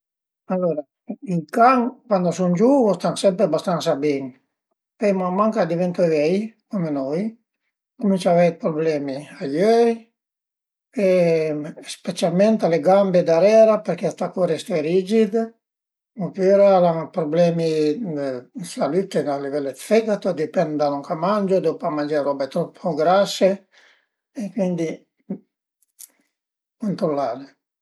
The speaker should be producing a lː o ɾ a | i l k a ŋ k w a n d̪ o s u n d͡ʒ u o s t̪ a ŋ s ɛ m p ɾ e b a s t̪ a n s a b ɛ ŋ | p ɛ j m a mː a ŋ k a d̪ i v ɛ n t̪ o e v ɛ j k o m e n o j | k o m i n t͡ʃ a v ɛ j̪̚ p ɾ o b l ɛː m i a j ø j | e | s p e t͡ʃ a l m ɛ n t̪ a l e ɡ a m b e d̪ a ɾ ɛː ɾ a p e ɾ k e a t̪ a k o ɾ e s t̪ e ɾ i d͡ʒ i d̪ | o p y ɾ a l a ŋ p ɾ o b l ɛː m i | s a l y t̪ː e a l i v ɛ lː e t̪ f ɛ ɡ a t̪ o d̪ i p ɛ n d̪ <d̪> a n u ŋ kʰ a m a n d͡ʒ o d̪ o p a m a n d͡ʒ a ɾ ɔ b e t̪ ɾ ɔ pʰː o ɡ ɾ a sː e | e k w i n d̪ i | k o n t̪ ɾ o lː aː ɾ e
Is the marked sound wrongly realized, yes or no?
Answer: no